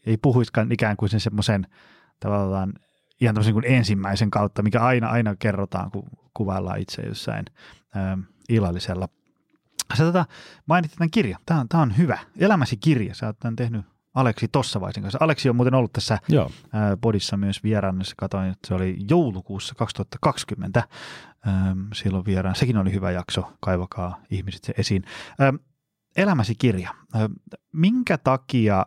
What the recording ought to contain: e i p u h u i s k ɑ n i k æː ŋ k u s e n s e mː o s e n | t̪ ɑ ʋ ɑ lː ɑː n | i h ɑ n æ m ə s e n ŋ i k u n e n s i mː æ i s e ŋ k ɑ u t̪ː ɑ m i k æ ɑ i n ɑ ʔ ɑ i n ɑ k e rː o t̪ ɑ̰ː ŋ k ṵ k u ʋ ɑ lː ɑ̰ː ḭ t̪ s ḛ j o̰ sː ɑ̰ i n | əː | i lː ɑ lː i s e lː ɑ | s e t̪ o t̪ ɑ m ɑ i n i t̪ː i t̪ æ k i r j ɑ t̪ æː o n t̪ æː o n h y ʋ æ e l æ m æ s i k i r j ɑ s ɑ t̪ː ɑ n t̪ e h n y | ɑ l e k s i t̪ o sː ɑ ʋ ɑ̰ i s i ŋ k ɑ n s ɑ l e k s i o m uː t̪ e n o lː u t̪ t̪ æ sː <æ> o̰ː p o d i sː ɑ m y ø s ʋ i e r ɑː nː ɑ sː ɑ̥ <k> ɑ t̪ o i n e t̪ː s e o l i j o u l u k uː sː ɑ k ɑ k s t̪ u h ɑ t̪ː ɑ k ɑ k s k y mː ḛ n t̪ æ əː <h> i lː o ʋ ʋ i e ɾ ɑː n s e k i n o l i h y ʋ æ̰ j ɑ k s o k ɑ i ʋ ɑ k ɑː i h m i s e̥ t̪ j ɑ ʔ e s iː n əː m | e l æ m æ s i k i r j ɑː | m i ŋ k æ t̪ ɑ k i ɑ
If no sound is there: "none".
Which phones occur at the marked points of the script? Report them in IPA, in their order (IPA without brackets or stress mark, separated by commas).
æ, k, s